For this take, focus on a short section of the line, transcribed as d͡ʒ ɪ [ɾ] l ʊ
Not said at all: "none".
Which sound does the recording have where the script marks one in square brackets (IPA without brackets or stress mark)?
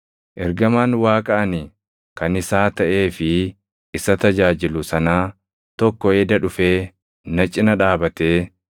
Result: none